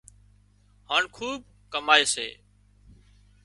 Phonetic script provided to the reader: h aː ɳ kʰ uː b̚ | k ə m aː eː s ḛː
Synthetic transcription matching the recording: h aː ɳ kʰ uː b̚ | k ə m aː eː s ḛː

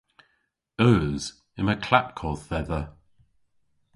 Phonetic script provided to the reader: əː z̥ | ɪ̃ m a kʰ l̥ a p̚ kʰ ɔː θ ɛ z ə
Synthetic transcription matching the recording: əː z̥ | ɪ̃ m ə kʰ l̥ a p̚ kʰ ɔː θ ɛ ð ə

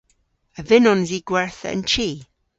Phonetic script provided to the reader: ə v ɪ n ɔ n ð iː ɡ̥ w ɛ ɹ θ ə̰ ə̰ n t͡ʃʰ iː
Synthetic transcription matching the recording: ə v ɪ n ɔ n z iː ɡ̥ w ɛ ɹ θ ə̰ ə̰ n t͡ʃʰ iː

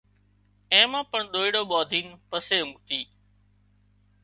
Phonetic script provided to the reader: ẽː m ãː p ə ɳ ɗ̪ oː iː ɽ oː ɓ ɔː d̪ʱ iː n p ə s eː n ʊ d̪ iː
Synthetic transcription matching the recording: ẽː m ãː p ə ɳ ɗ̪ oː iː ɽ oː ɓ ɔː d̪ʱ iː n p ə s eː m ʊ t̪ iː

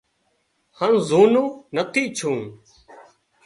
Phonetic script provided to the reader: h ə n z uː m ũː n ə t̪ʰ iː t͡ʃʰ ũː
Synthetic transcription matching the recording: h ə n z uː n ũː n ə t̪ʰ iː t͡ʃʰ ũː

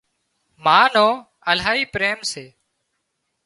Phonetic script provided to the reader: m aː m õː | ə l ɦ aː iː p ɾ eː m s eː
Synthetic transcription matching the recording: m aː n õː | ə l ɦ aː iː p ɾ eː m s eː

